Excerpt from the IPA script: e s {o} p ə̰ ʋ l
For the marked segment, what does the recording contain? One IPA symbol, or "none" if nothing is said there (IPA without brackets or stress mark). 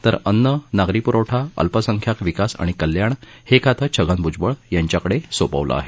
o